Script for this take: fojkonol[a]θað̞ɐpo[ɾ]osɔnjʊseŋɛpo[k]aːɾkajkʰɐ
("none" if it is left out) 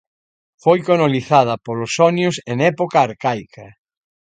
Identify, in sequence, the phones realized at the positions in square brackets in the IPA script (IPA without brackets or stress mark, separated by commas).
i, l, k